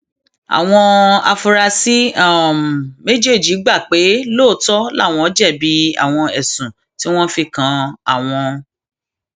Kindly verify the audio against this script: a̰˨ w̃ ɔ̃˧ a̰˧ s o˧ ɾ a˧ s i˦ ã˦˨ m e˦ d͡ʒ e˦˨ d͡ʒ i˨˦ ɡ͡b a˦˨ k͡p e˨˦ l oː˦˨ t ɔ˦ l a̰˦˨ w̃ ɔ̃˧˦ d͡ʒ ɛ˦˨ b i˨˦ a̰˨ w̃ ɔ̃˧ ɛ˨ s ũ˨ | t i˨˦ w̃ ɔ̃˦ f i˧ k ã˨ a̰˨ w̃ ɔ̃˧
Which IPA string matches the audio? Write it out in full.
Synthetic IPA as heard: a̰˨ w̃ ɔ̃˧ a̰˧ f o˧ ɾ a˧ s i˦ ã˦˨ m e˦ d͡ʒ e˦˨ d͡ʒ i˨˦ ɡ͡b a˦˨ k͡p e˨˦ l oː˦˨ t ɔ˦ l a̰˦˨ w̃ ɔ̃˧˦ d͡ʒ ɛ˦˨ b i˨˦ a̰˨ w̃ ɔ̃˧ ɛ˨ s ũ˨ | t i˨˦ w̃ ɔ̃˦ f i˧ k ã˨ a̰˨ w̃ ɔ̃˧